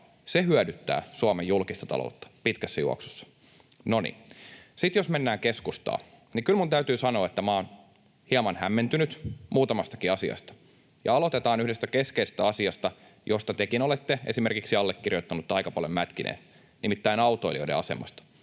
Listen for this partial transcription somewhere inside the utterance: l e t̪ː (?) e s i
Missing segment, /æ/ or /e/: e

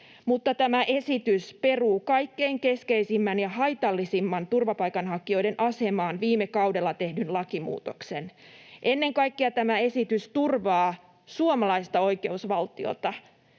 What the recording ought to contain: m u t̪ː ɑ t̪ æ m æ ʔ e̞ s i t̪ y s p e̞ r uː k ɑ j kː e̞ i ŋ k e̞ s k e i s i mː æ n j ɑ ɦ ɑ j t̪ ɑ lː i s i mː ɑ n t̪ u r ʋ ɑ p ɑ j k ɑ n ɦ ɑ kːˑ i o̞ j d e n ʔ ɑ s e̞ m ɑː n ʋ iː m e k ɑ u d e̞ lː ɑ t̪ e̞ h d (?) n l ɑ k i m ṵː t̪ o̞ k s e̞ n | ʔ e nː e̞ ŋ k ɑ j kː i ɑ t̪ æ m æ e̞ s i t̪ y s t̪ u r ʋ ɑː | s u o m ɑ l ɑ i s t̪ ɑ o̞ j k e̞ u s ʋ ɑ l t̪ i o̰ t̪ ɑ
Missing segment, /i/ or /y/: y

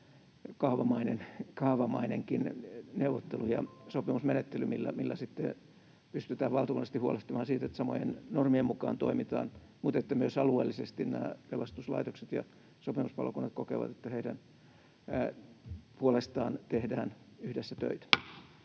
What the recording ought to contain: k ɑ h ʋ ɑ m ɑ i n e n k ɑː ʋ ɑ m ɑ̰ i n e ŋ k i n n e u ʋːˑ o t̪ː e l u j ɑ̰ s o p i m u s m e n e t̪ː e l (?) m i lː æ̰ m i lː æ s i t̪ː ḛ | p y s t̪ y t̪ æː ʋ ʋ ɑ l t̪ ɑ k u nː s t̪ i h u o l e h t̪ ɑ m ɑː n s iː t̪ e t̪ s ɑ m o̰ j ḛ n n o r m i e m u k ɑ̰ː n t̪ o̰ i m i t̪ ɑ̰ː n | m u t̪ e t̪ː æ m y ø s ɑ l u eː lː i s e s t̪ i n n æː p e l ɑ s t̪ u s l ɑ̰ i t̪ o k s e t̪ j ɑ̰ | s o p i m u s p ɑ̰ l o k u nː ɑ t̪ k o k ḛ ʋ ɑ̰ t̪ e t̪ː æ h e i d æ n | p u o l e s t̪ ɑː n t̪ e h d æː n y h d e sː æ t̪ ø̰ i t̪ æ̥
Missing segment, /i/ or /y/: y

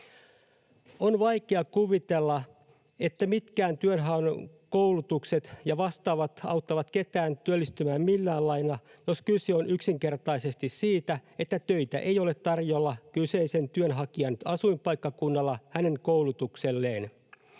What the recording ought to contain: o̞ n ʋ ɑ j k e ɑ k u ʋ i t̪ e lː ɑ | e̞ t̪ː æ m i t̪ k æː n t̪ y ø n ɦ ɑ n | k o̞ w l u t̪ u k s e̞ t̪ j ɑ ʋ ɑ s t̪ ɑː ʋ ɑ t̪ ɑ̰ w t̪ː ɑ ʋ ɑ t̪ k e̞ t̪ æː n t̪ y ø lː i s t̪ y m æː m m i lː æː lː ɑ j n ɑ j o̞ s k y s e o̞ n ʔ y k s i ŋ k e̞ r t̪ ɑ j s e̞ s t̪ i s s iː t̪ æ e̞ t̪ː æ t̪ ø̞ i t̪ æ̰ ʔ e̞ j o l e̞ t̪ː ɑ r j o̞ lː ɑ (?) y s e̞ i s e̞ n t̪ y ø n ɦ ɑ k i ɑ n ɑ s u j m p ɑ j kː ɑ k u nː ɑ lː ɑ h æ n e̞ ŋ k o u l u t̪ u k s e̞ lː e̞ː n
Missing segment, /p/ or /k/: k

